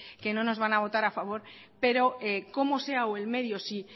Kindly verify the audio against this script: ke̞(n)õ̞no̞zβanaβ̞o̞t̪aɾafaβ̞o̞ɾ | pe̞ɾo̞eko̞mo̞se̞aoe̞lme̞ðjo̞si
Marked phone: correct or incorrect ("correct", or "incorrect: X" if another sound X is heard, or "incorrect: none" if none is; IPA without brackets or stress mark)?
correct